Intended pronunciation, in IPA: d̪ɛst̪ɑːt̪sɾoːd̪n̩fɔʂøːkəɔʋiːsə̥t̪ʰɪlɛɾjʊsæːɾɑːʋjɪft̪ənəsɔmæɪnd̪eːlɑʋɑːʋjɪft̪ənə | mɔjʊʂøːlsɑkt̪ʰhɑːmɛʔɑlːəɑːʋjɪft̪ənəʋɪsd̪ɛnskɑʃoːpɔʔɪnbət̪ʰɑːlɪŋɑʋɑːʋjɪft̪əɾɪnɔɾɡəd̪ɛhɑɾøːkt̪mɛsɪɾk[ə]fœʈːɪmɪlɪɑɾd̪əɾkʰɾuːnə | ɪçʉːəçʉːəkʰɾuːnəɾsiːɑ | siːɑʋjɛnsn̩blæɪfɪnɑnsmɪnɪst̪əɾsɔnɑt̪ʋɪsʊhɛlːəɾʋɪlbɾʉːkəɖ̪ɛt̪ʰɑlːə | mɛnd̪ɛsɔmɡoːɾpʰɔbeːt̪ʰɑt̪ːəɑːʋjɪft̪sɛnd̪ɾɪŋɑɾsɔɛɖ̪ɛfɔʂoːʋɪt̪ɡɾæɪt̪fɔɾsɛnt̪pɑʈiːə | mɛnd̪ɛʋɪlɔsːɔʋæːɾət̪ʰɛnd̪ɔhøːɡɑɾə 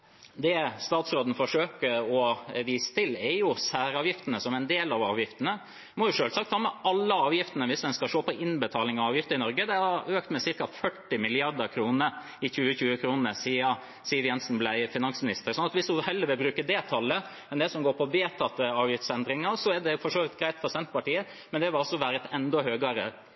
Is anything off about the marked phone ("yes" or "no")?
yes